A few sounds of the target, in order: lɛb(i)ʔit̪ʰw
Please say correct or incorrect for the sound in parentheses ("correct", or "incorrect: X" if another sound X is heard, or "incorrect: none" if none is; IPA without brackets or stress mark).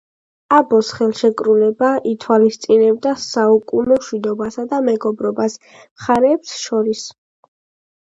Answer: incorrect: a